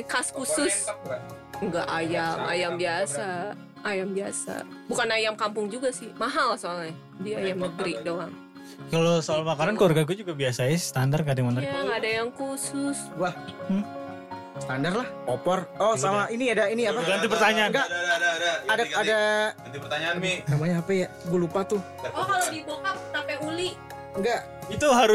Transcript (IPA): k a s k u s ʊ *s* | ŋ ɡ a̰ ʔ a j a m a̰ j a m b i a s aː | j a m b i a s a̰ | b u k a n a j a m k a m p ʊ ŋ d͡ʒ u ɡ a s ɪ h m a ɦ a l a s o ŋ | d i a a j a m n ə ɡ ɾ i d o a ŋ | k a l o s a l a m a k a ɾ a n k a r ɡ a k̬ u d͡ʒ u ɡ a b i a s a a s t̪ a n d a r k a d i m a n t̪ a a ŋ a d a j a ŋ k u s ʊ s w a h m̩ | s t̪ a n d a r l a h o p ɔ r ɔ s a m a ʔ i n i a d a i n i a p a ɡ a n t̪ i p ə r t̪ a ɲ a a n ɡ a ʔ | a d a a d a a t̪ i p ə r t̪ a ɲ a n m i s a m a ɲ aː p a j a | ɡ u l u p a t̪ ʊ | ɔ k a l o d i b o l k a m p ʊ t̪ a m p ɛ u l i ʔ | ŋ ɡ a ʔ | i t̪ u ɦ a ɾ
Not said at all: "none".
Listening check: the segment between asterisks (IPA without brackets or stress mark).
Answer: s